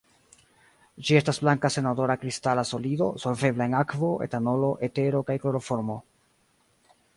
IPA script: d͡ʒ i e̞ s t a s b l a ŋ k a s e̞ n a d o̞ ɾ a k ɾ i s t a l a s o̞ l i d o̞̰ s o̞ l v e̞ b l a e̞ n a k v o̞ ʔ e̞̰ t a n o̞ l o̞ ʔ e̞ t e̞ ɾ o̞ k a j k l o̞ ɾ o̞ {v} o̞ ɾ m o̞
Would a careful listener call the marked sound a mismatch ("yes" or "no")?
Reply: yes